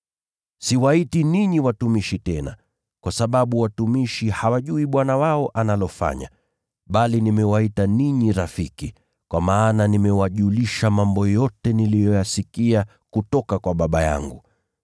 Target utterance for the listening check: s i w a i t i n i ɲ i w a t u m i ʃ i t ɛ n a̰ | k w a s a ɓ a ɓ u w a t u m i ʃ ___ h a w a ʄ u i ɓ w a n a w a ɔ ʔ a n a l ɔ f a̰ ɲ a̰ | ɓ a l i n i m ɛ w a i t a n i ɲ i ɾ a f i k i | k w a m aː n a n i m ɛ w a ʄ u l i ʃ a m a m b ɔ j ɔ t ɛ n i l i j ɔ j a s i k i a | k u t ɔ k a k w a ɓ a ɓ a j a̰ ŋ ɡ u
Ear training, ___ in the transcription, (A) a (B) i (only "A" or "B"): B